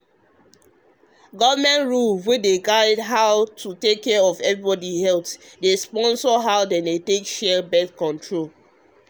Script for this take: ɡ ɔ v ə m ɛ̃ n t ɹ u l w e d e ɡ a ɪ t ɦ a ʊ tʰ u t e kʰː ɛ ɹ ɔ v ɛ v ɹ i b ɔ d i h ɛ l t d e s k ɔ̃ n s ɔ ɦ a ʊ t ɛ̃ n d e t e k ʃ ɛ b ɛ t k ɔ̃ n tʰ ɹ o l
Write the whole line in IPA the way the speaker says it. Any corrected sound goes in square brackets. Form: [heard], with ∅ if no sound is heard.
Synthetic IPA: ɡ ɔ v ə m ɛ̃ n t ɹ u l w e d e ɡ a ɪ [d] ɦ a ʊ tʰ u t e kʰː ɛ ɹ ɔ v ɛ v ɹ i b ɔ d i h ɛ l t d e s [p] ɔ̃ n s ɔ ɦ a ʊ [d] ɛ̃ n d e t e k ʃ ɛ b ɛ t k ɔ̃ n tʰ ɹ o l